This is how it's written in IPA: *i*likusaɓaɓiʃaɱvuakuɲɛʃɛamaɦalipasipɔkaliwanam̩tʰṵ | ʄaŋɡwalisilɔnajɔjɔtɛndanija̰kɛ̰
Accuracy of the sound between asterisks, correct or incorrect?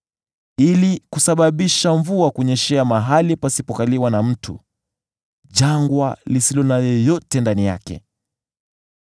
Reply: correct